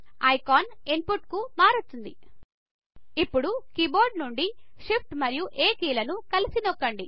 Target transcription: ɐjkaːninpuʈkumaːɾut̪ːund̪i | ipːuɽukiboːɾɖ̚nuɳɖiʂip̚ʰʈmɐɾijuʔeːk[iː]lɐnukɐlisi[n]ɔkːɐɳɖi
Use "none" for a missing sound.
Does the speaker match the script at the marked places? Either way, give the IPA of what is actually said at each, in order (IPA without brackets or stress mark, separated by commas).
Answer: iː, n